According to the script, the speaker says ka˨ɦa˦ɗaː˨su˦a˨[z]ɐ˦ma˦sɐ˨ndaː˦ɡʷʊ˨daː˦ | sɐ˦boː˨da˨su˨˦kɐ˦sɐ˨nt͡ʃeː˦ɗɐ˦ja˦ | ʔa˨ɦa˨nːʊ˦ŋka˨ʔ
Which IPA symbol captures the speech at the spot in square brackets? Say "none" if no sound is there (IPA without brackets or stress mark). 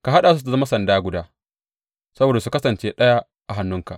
z